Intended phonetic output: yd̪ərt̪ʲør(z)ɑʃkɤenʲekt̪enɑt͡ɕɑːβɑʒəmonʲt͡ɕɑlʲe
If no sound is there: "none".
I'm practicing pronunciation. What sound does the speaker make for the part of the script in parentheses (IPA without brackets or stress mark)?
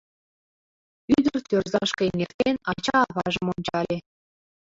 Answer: z